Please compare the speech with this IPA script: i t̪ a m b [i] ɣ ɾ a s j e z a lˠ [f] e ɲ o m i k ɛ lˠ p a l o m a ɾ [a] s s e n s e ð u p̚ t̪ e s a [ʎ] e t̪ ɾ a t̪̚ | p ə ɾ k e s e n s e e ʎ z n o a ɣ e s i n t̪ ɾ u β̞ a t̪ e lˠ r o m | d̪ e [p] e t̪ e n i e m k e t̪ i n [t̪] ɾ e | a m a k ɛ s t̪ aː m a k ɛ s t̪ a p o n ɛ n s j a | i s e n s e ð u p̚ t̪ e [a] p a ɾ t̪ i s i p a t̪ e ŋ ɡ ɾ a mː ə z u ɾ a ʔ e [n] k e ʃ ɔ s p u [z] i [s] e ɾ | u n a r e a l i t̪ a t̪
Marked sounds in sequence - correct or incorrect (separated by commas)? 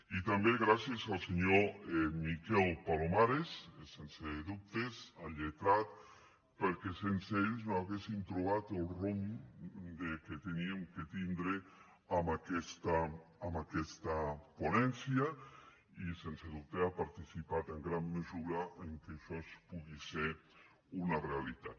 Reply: incorrect, incorrect, incorrect, correct, incorrect, incorrect, correct, incorrect, incorrect, correct